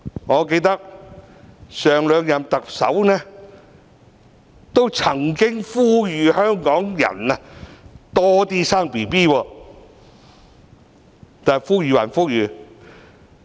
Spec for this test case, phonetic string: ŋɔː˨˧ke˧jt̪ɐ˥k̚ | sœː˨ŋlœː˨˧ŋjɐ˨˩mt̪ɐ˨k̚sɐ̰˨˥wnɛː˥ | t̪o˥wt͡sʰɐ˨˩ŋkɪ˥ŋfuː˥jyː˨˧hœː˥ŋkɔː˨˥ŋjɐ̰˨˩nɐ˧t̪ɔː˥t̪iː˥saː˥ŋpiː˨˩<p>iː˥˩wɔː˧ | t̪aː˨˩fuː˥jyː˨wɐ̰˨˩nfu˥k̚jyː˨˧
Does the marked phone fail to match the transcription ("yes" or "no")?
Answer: no